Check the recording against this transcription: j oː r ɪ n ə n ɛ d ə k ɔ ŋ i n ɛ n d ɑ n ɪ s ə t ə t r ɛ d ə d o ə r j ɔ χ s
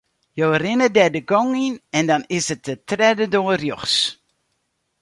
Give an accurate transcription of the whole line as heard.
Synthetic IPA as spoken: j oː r ɪ n ə d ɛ d ə ɡ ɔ ŋ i n ɛ n d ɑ n ɪ s ə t ə t r ɛ d ə d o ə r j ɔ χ s